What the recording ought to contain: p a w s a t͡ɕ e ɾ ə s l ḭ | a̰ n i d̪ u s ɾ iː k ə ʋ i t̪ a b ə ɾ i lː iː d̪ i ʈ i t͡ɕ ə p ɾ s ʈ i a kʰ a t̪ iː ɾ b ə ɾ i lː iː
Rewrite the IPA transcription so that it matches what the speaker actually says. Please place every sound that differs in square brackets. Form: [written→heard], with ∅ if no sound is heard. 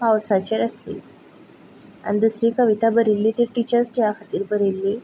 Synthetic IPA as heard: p a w s a t͡ɕ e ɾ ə s l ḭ | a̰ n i d̪ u s ɾ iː k ə ʋ i t̪ a b ə ɾ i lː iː [d̪→t̪] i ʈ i t͡ɕ ə [p→∅] ɾ s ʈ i a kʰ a t̪ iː ɾ b ə ɾ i lː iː

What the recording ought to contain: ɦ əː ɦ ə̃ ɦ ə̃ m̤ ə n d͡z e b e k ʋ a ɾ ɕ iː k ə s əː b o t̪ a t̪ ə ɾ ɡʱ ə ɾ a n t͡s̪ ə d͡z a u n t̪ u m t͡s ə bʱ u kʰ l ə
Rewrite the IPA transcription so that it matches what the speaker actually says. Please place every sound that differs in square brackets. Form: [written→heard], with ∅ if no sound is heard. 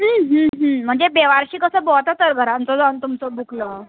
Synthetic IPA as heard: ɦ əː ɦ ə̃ ɦ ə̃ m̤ ə [n→ɳ] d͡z e b e [k→∅] ʋ a ɾ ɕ iː k ə s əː b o t̪ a t̪ ə ɾ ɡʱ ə ɾ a n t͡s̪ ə d͡z a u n t̪ u m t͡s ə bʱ u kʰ l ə

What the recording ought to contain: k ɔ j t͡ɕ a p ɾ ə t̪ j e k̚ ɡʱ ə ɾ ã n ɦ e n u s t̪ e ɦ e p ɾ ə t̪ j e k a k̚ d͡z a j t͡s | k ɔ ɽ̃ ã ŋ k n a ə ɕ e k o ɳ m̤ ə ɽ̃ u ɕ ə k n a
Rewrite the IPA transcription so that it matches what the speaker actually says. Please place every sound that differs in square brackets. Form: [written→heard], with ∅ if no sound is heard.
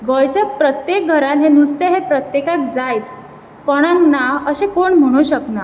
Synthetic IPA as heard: [k→ɡ] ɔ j t͡ɕ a p ɾ ə t̪ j e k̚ ɡʱ ə ɾ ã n ɦ e n u s t̪ e ɦ e p ɾ ə t̪ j e k a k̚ d͡z a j t͡s | k ɔ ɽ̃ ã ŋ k n a ə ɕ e k o ɳ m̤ ə ɽ̃ u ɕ ə k n a

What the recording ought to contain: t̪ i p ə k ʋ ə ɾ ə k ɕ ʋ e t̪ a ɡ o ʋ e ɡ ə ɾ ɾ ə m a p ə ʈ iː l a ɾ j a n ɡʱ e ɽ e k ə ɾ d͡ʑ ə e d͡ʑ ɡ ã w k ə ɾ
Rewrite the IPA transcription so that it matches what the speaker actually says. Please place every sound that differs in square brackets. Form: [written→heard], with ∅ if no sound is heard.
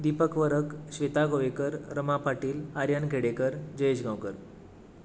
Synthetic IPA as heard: [t̪→d̪] i p ə k ʋ ə ɾ ə k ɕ ʋ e t̪ a ɡ o ʋ e [ɡ→k] ə ɾ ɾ ə m a p [ə→a] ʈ iː l a ɾ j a n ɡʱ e ɽ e k ə ɾ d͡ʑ ə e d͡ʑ ɡ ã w k ə ɾ

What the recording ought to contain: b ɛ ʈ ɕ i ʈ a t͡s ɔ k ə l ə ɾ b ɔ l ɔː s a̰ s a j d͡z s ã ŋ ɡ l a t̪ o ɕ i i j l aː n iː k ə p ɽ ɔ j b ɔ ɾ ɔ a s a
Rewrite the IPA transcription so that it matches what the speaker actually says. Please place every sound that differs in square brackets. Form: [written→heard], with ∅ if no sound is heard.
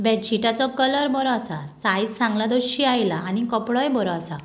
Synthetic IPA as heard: b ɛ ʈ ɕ i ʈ a t͡s ɔ k ə l ə ɾ b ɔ [l→ɾ] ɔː s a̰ s a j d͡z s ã ŋ ɡ l a [t̪→d̪] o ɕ i [i→a] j l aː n [iː→i] k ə p ɽ ɔ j b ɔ ɾ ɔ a s a

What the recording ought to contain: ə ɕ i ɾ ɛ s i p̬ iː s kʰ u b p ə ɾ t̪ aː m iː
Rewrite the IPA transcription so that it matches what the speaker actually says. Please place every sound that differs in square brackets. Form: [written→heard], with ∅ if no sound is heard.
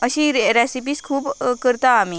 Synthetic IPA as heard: ə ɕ i ɾ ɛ s i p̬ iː s kʰ [u→uː] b [p→k] ə ɾ t̪ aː m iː

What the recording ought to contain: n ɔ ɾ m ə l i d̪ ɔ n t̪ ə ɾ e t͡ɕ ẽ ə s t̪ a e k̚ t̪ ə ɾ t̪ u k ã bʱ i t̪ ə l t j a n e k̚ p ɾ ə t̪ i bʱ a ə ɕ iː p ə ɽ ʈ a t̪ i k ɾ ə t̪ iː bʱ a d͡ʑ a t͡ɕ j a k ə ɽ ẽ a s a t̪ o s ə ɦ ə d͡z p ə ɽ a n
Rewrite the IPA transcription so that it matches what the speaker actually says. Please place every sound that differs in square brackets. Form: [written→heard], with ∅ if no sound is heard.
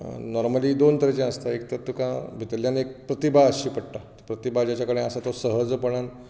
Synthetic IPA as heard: n ɔ ɾ m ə l i d̪ [ɔ→o] n t̪ ə ɾ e t͡ɕ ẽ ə s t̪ a e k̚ t̪ ə ɾ t̪ u k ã bʱ i t̪ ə l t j a n e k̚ p ɾ ə t̪ i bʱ a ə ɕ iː p ə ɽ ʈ a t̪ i [k→p] ɾ ə t̪ [iː→i] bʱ a d͡ʑ a t͡ɕ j a k ə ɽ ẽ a s a t̪ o s ə ɦ ə d͡z p ə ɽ a n

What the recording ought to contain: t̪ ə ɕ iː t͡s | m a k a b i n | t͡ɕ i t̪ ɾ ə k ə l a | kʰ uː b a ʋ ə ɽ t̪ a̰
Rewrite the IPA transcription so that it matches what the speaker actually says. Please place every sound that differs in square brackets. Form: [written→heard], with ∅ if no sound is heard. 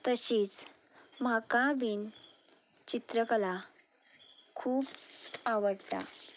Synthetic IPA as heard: t̪ ə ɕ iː t͡s | m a k a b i n | t͡ɕ i t̪ ɾ ə k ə l a | kʰ uː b a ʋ ə ɽ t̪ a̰

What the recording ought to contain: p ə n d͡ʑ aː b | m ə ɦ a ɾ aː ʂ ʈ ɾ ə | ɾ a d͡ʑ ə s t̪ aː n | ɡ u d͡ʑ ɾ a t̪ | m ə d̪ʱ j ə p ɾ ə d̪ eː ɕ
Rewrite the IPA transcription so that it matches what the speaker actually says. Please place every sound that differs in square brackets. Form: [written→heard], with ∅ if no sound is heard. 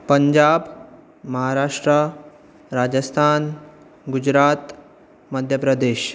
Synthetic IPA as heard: p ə [n→ɲ] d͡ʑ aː b | m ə ɦ a ɾ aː ʂ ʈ ɾ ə | ɾ a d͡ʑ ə s [t̪→t̪ʰ] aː n | ɡ u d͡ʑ ɾ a t̪ | m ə d̪ʱ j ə p ɾ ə d̪ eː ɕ

